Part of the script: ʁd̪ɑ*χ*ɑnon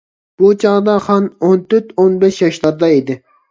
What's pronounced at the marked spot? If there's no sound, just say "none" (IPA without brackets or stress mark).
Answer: χ